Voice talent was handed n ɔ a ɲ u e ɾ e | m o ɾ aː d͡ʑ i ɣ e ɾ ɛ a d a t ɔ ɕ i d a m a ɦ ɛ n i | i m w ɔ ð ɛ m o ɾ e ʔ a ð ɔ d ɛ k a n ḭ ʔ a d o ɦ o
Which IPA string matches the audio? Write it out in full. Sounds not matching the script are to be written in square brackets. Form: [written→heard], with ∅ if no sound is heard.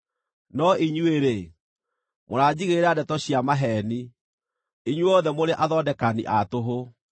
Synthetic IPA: n ɔ [a→i] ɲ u e ɾ e | m o ɾ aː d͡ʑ i ɣ e ɾ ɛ a d [a→ɛ] t ɔ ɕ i [d→∅] a m a ɦ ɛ n i | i [m→ɲ] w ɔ ð ɛ m o ɾ e ʔ a ð ɔ d ɛ k a n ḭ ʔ a [d→t] o ɦ o